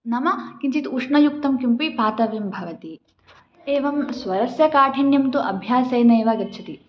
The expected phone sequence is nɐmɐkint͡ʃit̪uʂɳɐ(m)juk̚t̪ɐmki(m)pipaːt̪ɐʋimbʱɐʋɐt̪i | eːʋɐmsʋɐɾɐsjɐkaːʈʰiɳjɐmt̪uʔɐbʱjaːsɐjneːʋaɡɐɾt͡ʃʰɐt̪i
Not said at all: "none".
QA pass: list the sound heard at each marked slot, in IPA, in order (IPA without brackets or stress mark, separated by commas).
none, m